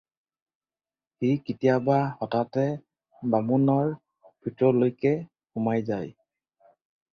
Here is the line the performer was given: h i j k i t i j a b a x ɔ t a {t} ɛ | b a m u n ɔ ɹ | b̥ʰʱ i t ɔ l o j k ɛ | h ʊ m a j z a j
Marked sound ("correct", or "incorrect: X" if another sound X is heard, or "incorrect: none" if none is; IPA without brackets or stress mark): correct